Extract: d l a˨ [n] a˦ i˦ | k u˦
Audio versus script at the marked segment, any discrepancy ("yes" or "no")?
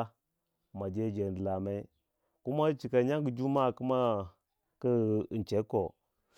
yes